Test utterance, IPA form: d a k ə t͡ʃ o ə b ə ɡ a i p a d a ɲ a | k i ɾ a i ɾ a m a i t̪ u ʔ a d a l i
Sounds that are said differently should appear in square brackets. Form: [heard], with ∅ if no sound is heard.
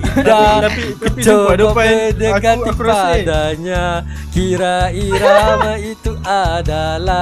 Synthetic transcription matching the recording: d a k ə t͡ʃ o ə [d] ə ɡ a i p a d a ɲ a | k i ɾ a i ɾ a m a i t̪ u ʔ a d a l [a]